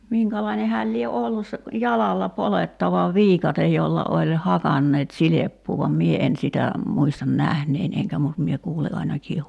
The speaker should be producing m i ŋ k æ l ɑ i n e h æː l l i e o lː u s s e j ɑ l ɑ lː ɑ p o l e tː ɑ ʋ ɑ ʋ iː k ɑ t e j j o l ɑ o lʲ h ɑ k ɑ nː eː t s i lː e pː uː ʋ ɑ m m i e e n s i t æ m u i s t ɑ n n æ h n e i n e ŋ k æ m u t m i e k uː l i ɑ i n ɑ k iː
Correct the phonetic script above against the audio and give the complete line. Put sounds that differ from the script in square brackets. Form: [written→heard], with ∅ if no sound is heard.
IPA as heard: m i ŋ k æ l ɑ i n e h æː l l i e o lː u s s e j ɑ l ɑ lː ɑ p o l e tː ɑ ʋ ɑ ʋ iː k ɑ t e j j o [l→lː] ɑ o lʲ h ɑ k ɑ nː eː t s i [lː→l] e pː uː ʋ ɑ m m i e e n s i t æ m u i s t ɑ n n æ h n e i n e ŋ k æ m u t m i e k uː l i ɑ i n ɑ k iː